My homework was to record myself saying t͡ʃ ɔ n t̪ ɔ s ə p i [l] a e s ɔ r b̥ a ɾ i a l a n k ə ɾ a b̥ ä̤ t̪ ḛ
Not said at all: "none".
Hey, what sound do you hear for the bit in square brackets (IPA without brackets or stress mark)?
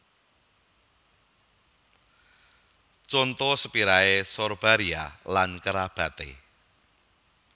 ɾ